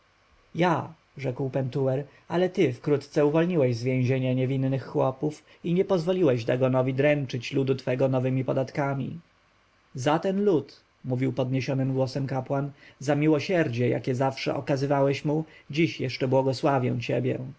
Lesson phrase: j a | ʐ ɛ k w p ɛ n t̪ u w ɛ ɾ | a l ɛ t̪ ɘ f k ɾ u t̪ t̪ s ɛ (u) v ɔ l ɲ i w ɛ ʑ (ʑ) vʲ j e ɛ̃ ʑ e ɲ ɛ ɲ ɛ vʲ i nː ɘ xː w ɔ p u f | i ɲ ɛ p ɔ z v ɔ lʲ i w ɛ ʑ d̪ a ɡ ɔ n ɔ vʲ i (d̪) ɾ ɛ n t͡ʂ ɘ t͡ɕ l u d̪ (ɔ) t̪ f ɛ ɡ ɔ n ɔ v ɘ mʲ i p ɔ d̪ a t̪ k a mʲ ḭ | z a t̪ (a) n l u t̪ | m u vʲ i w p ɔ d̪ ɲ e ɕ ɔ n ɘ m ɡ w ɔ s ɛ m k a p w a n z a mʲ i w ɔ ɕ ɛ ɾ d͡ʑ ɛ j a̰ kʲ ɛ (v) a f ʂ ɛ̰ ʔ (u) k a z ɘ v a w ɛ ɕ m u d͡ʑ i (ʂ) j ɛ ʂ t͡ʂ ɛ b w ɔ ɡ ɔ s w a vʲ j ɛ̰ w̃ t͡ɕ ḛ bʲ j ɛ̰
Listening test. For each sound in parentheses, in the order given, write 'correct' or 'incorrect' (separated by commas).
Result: correct, incorrect, correct, incorrect, incorrect, incorrect, incorrect, incorrect